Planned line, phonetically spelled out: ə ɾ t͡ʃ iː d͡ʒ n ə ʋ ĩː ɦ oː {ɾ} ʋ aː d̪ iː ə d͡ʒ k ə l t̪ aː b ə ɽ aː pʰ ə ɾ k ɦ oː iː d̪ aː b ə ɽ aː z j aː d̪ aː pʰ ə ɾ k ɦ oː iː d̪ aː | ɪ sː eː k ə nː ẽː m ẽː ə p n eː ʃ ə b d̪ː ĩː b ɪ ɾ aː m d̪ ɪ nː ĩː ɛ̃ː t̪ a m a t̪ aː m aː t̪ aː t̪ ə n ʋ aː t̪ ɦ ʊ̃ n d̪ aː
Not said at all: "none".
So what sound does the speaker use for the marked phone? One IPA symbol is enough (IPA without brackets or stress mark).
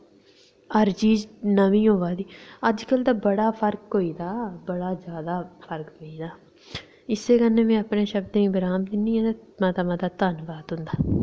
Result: none